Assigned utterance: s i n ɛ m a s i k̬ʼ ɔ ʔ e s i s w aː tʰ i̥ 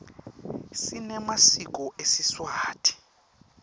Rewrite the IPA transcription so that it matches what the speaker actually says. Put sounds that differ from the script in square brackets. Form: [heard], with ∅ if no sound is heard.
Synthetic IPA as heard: s i n ɛ m a s i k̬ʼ ɔ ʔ e s i s w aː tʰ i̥